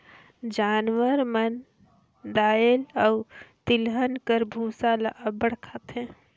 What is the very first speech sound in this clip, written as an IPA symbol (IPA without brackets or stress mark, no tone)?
d͡ʒ